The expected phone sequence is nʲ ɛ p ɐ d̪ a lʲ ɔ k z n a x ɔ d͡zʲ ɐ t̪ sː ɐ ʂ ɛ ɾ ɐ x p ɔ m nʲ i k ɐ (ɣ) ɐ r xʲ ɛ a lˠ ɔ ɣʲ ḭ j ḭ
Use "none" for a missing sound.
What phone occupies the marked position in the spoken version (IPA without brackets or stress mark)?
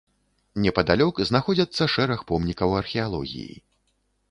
w